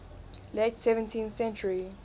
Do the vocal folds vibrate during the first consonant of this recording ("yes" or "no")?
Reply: yes